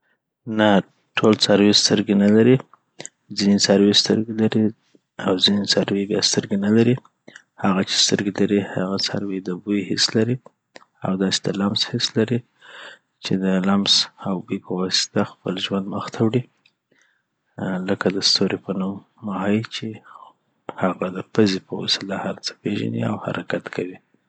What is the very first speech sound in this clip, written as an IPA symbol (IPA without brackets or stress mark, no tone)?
n